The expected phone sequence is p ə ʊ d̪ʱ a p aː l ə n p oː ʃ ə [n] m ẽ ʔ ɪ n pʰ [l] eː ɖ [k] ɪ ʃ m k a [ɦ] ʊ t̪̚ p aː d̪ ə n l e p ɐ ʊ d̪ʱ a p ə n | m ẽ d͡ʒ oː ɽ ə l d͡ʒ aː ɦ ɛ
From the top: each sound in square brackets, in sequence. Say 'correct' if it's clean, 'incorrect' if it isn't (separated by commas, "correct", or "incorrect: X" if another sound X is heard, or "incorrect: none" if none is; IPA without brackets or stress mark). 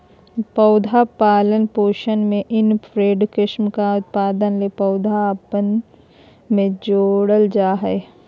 correct, incorrect: ɾ, correct, incorrect: none